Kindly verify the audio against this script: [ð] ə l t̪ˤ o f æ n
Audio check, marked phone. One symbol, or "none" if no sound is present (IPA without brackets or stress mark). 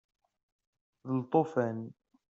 ð